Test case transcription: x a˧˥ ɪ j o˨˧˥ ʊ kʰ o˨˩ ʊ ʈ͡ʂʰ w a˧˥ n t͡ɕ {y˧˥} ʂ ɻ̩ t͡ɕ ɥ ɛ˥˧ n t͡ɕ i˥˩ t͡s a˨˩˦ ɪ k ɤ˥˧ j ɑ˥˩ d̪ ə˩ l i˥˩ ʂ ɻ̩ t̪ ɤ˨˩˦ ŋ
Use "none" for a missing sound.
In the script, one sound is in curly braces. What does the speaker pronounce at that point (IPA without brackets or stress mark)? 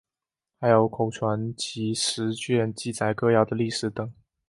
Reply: i˧˥